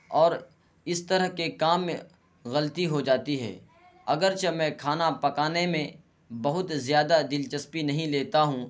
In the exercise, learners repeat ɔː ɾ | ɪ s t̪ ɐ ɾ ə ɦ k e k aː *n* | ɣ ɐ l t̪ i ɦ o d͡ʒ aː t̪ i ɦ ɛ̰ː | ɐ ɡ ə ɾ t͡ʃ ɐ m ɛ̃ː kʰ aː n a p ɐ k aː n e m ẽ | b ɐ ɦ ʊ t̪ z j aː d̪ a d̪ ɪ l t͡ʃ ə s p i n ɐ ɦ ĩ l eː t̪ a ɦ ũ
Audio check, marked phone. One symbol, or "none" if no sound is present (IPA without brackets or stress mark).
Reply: m